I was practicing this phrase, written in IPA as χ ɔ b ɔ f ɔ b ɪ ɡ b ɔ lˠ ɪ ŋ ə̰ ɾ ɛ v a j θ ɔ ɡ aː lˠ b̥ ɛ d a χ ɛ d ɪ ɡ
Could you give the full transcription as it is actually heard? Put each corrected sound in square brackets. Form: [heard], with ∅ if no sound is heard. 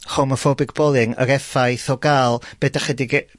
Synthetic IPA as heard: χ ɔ [m] ɔ f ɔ b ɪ ɡ b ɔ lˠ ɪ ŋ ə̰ ɾ ɛ [f] a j θ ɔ ɡ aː lˠ b̥ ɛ d a χ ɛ d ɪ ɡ

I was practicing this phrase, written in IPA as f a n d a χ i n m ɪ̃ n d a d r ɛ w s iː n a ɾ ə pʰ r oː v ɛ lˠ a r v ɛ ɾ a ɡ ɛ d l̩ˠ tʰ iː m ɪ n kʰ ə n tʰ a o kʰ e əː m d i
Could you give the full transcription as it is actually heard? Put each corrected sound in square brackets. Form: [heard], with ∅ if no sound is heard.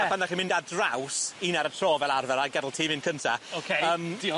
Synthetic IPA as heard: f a n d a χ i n m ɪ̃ n d a d r [a] w s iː n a ɾ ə [tʰ] r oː v ɛ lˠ a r v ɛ ɾ a ɡ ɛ d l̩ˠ tʰ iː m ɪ n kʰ ə n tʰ a o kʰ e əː m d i

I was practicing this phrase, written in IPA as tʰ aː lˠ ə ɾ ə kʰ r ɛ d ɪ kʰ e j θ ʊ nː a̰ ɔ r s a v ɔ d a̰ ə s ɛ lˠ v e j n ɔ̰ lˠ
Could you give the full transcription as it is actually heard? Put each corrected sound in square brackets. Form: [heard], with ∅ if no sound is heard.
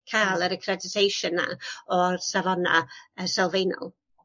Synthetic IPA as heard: [kʰ] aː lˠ ə ɾ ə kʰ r ɛ d ɪ [tʰ] e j [ʃ] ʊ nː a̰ ɔ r s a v ɔ [n] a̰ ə s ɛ lˠ v e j n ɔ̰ lˠ

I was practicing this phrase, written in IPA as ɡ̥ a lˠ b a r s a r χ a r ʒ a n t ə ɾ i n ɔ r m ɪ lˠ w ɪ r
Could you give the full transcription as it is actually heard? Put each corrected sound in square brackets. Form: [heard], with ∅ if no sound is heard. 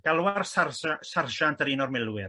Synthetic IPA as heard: ɡ̥ a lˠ [w] a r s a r [s] a r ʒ a n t ə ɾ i n ɔ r m ɪ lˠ w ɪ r

